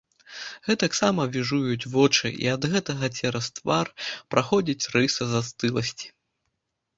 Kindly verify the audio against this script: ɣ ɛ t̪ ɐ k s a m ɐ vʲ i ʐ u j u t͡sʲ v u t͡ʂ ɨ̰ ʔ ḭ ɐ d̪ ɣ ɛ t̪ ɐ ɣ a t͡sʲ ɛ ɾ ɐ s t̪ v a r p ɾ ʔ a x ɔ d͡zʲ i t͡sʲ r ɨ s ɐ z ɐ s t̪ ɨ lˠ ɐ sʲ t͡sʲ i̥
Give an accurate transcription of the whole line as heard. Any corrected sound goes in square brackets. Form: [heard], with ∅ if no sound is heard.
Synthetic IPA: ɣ ɛ t̪ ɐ k s a m ɐ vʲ i ʐ u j u t͡sʲ v [ɔ] t͡ʂ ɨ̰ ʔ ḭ ɐ d̪ ɣ ɛ t̪ ɐ ɣ [ɐ] t͡sʲ ɛ ɾ ɐ s t̪ v a r p ɾ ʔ a x ɔ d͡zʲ i t͡sʲ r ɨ s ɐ z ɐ s t̪ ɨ lˠ ɐ sʲ t͡sʲ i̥